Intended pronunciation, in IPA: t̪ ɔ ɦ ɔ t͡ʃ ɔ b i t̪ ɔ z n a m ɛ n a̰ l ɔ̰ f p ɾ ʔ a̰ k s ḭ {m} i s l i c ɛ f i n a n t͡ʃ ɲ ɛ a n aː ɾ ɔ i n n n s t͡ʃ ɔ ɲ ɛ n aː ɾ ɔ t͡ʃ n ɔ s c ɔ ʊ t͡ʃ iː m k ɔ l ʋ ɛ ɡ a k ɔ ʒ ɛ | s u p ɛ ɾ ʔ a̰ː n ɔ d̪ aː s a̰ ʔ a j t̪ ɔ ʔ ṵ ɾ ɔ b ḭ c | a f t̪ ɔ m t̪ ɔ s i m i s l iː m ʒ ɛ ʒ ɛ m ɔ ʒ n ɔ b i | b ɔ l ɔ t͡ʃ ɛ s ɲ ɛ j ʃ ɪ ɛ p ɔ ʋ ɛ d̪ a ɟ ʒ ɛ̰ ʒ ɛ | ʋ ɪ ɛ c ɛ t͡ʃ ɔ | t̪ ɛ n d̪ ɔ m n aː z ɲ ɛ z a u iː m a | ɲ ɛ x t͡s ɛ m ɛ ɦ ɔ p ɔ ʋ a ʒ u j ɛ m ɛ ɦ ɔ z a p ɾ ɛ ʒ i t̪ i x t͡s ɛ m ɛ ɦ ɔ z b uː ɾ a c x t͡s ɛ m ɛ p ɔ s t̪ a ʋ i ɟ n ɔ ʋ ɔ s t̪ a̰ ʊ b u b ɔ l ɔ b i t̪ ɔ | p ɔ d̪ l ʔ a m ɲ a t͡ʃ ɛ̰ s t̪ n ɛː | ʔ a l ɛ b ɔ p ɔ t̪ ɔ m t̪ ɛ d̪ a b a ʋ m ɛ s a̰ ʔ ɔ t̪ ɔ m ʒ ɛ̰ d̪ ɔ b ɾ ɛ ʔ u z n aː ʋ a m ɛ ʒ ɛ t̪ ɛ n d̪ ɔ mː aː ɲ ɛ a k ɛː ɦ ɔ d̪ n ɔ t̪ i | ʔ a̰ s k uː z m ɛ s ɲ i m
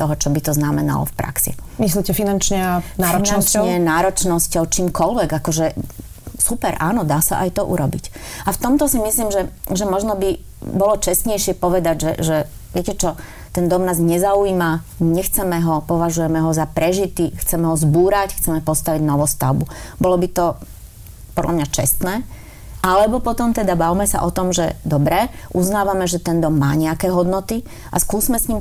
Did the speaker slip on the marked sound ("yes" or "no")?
no